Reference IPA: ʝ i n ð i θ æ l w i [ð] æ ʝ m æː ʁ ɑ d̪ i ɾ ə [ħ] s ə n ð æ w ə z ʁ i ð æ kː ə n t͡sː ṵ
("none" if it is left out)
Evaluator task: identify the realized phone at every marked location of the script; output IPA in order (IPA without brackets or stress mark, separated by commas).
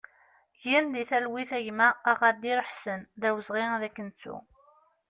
θ, ħ